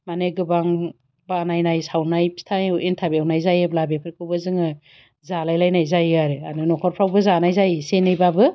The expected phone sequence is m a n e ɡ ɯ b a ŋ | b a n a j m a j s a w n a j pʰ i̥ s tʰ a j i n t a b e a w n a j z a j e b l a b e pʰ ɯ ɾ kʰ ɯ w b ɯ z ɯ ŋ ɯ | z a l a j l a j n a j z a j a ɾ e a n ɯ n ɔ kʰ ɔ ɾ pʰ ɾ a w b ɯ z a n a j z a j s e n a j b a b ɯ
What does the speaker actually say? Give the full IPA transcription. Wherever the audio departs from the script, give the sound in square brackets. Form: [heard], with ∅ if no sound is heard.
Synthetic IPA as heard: m a n e ɡ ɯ b a ŋ | b a n a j [n] a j s a w n a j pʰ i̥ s tʰ a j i n [tʰ] a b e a w n a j z a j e b l a b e pʰ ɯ ɾ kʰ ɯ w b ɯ z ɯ ŋ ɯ | z a l a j l a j n a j z a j a ɾ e a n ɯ n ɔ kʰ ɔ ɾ pʰ ɾ a w b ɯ z a n a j z a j s e n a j b a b ɯ

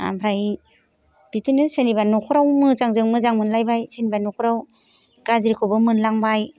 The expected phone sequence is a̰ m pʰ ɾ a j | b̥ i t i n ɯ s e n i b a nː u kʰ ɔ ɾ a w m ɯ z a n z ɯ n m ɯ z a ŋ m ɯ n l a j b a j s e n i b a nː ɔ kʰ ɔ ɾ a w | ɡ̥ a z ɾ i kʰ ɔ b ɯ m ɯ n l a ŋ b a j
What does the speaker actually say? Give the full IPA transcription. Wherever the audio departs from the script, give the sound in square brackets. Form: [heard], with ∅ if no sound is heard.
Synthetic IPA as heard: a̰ m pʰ ɾ a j | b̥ i t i n ɯ s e n i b a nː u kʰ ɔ ɾ a w m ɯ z a [ŋ] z ɯ [ŋ] m ɯ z a ŋ m ɯ n l a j b a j s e n i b a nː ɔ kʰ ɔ ɾ a w | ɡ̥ a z ɾ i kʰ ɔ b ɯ m ɯ n l a ŋ b a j

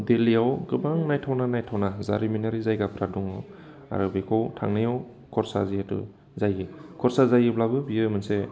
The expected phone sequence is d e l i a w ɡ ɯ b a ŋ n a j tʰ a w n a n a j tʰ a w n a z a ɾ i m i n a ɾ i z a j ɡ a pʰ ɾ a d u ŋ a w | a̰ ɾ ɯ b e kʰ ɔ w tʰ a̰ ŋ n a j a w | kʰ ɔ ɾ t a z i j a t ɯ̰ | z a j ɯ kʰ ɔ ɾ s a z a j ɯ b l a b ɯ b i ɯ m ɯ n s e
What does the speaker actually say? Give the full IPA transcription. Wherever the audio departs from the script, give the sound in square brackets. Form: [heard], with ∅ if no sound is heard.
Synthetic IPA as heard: d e l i a w ɡ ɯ b a ŋ n a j tʰ a w n a n a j tʰ a w n a z a ɾ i m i n a ɾ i z a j ɡ a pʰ ɾ a d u ŋ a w | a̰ ɾ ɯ b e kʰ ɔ w tʰ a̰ ŋ n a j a w | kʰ ɔ ɾ [s] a z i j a t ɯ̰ | z a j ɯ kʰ ɔ ɾ s a z a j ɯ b l a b ɯ b i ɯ m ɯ n s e

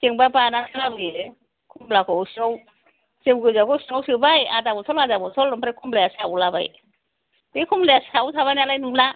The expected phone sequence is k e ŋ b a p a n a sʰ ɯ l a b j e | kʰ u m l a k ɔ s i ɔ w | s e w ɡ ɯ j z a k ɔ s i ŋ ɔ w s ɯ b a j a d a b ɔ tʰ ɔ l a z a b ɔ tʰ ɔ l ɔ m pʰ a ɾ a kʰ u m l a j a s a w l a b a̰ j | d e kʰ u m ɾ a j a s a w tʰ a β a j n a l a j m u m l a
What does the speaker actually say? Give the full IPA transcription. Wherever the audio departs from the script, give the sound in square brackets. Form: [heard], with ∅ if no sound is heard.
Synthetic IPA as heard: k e ŋ b a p a n a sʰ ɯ l a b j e | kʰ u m l a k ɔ s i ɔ w | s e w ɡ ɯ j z a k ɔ s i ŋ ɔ w s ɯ b a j a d a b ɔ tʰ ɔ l a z a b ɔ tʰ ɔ l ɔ m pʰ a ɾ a kʰ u m l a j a s a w l a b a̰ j | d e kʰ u m [l] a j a s a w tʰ a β a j n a l a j [n] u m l a

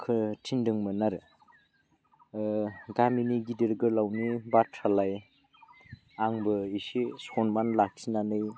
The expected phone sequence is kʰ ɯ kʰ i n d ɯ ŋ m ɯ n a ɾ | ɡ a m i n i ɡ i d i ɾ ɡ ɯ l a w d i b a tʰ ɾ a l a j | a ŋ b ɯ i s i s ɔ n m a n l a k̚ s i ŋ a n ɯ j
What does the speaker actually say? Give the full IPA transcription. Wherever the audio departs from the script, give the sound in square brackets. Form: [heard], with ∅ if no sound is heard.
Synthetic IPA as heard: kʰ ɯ [tʰ] i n d ɯ ŋ m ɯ n a ɾ | ɡ a m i n i ɡ i d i ɾ ɡ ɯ l a w [n] i b a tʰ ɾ a l a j | a ŋ b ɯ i s i s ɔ n m a n l a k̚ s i [n] a n ɯ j

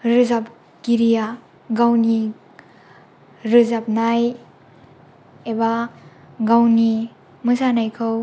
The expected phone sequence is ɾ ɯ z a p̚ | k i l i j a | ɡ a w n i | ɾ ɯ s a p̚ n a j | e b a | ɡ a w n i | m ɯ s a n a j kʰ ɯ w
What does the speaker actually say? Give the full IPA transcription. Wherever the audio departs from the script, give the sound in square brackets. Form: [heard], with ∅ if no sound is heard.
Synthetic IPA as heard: ɾ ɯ z a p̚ | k i [ɾ] i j a | ɡ a w n i | ɾ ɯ [z] a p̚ n a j | e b a | ɡ a w n i | m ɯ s a n a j kʰ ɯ w

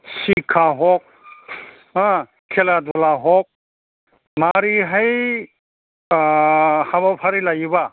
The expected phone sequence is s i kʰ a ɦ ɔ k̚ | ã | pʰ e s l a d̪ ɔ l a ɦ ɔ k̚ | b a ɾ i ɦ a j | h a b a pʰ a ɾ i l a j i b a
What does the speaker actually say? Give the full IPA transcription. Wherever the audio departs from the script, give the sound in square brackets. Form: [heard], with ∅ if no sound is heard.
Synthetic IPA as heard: s i kʰ a ɦ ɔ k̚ | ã | [kʰ] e [∅] l a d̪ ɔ l a ɦ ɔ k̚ | [m] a ɾ i ɦ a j | h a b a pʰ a ɾ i l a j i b a

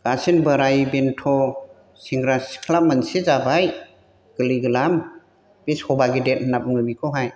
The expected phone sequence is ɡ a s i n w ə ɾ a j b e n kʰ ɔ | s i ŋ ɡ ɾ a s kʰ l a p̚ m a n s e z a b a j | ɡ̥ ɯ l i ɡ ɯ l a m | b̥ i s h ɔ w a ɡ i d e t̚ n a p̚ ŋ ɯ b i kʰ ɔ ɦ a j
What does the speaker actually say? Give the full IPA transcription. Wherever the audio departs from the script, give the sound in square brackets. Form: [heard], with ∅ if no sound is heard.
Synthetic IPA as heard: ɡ a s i n [b] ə ɾ a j b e n [tʰ] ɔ | s i ŋ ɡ ɾ a s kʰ l a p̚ m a n s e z a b a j | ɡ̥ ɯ l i ɡ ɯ l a m | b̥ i s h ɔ [b] a ɡ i d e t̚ n a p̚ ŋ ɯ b i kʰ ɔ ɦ a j

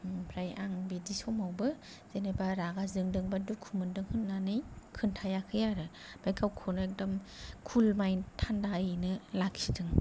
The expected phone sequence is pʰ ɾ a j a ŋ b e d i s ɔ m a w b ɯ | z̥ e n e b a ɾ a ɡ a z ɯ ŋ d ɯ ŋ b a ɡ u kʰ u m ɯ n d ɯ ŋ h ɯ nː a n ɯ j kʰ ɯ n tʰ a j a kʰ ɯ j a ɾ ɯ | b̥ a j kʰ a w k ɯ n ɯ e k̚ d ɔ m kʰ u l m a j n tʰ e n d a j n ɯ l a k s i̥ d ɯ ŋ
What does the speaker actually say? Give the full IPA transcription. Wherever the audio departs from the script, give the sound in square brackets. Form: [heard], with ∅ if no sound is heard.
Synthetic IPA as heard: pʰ ɾ a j a ŋ b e d i s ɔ m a w b ɯ | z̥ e n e b a ɾ a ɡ a z ɯ ŋ d ɯ ŋ b a [d] u kʰ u m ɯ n d ɯ ŋ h ɯ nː a n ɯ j kʰ ɯ n tʰ a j a kʰ ɯ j a ɾ ɯ | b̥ a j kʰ a w [kʰ] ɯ n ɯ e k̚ d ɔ m kʰ u l m a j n tʰ [a] n d a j n ɯ l a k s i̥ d ɯ ŋ

